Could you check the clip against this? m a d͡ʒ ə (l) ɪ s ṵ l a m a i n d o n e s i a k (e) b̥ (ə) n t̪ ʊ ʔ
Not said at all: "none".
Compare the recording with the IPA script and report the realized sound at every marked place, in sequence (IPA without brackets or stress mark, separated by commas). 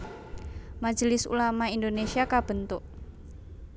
l, a, ə